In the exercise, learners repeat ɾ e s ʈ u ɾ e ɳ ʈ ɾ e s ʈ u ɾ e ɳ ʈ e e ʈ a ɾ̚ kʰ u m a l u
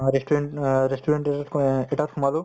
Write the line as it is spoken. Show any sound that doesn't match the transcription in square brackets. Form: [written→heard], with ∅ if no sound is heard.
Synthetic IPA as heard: ɾ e s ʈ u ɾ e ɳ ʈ ɾ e s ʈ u ɾ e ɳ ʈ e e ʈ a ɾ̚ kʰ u m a l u